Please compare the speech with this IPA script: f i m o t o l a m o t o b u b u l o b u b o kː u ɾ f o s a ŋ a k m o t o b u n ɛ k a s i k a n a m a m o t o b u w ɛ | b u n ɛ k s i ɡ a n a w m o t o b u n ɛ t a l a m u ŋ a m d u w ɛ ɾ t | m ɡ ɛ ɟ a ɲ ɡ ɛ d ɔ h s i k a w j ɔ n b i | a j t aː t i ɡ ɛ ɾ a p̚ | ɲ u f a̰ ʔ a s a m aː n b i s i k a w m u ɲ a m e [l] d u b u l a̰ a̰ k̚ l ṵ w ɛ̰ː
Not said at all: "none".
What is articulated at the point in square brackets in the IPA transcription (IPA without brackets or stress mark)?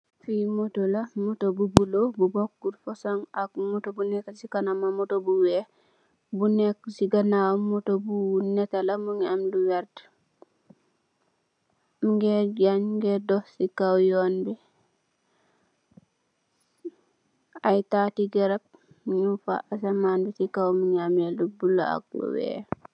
l